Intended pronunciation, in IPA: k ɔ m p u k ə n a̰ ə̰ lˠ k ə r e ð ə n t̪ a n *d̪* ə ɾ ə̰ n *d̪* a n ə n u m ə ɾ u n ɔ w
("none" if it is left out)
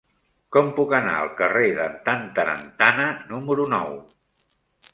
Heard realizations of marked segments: t̪, t̪

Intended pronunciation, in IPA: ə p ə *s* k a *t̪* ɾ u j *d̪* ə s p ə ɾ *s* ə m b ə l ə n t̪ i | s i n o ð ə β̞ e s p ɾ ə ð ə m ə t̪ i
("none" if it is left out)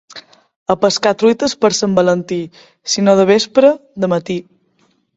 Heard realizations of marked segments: s, t̪, t̪, s

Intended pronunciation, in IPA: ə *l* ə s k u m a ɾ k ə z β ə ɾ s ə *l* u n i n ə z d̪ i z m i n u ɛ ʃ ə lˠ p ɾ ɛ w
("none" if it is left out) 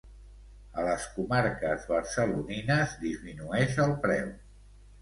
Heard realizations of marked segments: l, l

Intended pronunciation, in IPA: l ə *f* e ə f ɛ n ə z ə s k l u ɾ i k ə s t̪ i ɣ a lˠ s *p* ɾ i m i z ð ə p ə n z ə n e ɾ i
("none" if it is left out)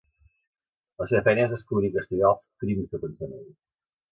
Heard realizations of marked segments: s, k

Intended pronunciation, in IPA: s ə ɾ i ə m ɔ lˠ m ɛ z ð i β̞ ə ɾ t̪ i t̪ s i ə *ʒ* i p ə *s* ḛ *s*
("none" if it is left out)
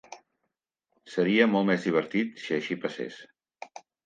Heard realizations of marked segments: ʃ, s, s

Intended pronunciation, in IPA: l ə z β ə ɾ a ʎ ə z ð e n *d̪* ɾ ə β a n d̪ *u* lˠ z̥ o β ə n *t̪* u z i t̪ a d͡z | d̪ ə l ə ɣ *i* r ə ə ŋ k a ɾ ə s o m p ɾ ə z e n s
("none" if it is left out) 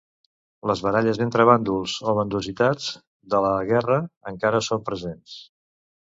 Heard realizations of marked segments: t̪, u, d̪, ɛ

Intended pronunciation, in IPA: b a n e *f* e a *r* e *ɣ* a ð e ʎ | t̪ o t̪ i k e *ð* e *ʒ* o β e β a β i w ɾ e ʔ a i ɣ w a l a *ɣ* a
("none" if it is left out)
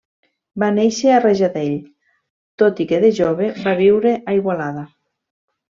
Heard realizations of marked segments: ʃ, r, ʒ, ð, ʒ, ð

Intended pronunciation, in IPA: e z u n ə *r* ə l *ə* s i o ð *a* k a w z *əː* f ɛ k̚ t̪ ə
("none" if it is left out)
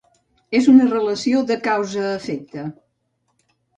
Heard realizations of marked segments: r, ə, ə, əː

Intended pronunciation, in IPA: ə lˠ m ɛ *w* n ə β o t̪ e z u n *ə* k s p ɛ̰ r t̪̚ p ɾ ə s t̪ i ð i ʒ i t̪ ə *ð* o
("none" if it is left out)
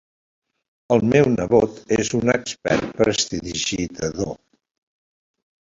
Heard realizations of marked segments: w, ə, ð

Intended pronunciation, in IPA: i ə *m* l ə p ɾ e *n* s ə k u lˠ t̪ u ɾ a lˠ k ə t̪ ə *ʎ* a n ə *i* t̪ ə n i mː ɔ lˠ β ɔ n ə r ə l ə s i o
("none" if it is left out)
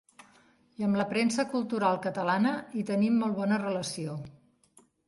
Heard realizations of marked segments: m, n, l, i

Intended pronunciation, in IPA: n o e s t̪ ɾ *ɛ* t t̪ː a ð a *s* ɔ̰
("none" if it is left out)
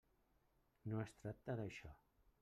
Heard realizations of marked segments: a, ʃ

